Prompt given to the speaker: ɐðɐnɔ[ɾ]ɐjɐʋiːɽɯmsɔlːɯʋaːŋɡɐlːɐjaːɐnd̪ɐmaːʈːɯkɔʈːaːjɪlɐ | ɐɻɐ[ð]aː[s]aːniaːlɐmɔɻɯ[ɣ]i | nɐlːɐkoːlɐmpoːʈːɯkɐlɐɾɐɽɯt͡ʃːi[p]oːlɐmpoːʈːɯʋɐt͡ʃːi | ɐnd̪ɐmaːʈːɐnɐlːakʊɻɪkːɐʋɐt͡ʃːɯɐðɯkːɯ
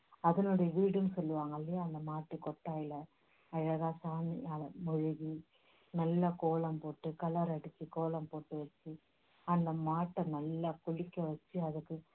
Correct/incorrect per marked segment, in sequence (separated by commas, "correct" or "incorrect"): incorrect, incorrect, correct, correct, incorrect